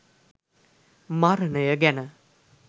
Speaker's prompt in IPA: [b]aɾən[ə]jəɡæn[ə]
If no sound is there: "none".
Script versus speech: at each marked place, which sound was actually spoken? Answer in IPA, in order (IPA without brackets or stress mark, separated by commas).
m, ə, ə